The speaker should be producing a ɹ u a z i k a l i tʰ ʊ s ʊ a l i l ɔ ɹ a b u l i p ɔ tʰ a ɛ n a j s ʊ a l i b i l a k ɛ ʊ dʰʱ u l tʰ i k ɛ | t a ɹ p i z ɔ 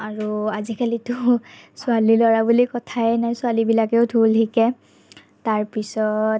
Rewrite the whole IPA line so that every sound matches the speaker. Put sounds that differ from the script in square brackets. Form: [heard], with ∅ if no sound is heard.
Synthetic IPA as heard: a ɹ u a z i k a l i [t] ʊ s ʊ a l i l ɔ ɹ a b u l i [k] ɔ tʰ a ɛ n a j s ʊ a l i b i l a k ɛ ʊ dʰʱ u l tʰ i k ɛ | t a ɹ p i [s] ɔ